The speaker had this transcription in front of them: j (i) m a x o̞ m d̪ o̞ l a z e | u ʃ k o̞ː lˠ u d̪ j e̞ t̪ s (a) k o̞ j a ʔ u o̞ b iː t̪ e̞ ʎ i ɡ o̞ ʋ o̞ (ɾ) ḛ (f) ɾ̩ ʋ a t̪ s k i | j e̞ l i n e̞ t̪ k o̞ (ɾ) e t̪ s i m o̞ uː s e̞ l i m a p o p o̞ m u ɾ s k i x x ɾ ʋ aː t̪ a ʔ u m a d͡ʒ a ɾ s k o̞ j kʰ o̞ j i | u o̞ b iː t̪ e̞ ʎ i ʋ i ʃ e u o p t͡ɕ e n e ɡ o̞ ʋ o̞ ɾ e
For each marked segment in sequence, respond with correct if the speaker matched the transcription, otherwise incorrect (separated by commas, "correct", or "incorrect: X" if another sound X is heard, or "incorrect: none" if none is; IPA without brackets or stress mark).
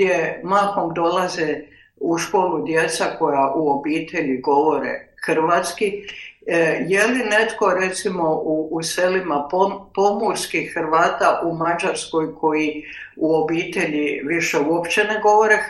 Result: incorrect: e, correct, correct, incorrect: x, correct